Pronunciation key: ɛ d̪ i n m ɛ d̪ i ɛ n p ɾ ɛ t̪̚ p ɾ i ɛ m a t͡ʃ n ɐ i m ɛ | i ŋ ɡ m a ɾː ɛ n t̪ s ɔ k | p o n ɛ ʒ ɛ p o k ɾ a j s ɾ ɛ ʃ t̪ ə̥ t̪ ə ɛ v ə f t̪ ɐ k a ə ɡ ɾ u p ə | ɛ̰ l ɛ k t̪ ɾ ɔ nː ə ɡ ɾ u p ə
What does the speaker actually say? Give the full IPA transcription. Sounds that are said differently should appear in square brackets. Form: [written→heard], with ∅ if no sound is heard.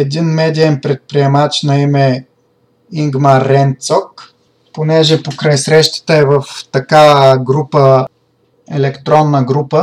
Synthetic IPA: ɛ d̪ i n m ɛ d̪ i ɛ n p ɾ ɛ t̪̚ p ɾ i ɛ m a t͡ʃ n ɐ i m ɛ | i ŋ ɡ m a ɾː ɛ n t̪ s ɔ k | p o n ɛ ʒ ɛ p o k ɾ a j s ɾ ɛ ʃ t̪ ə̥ t̪ ə ɛ v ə f t̪ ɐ k a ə ɡ ɾ u p ə | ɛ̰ l ɛ k t̪ ɾ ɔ nː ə ɡ ɾ u p ə